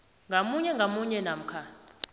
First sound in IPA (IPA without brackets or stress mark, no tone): ŋ